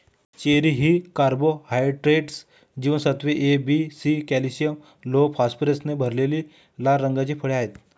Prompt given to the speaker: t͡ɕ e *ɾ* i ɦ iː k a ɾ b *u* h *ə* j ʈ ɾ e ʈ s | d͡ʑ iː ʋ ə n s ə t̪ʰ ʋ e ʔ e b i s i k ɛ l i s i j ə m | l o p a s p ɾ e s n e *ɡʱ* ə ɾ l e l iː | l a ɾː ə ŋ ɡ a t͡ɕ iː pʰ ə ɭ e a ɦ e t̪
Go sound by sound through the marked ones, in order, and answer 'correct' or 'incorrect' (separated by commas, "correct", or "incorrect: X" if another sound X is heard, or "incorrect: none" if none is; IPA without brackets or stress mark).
correct, incorrect: o, incorrect: a, incorrect: bʱ